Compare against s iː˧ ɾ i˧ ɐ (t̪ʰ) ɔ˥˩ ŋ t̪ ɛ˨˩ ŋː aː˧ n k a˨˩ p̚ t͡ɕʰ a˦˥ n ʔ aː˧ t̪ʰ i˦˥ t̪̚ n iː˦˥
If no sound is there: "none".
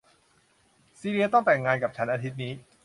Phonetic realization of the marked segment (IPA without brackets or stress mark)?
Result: t̪